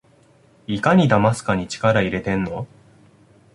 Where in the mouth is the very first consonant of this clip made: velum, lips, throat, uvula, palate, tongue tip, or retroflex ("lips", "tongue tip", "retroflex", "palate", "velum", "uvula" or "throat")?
velum